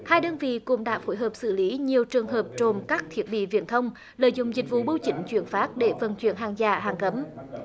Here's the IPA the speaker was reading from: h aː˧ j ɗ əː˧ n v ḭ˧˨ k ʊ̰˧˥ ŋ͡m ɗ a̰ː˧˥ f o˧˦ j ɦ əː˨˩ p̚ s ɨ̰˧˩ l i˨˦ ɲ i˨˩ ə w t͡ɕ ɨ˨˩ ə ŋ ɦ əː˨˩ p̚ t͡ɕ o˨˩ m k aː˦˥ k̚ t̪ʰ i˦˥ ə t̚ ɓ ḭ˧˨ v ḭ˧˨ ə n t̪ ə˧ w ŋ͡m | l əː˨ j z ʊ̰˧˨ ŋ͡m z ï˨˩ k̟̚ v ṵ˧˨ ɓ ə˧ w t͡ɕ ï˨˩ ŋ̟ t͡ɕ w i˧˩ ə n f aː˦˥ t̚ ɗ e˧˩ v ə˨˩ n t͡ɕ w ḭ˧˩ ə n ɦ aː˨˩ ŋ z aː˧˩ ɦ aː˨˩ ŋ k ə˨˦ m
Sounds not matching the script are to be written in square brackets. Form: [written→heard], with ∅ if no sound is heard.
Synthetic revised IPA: h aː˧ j ɗ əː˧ n v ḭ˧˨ k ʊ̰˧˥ ŋ͡m ɗ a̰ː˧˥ f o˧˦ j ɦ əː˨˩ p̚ s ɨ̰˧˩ l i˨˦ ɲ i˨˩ ə w t͡ɕ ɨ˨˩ ə ŋ ɦ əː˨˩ p̚ t͡ɕ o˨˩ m k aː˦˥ k̚ t̪ʰ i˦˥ ə t̚ ɓ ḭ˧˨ v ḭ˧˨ ə n [t̪→t̪ʰ] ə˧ w ŋ͡m | l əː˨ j z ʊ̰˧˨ ŋ͡m z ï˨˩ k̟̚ v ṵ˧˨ ɓ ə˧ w t͡ɕ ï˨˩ ŋ̟ t͡ɕ w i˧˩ ə n f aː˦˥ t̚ ɗ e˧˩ v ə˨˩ n t͡ɕ w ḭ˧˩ ə n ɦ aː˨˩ ŋ z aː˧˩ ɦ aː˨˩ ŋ k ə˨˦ m